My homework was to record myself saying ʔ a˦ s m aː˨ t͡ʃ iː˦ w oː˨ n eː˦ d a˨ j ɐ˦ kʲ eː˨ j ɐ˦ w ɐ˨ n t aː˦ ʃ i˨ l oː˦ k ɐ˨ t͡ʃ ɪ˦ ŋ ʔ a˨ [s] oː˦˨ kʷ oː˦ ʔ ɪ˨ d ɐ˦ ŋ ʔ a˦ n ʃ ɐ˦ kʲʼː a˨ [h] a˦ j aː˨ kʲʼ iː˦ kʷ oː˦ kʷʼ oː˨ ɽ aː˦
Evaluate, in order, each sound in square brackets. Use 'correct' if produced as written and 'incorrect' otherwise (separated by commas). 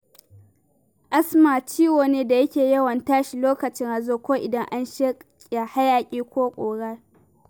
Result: incorrect, correct